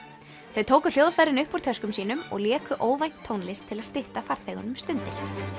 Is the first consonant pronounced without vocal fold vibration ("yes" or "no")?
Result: yes